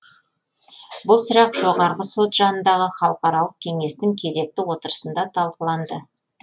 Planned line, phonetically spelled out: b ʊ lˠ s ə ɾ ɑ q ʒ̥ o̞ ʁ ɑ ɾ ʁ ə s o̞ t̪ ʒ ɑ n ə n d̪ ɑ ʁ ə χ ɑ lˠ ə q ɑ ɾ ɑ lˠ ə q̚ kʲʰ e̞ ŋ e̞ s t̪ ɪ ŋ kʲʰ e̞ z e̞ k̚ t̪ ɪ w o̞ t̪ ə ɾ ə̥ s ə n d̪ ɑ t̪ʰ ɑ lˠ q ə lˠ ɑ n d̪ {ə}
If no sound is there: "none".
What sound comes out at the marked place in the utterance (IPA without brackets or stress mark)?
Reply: ə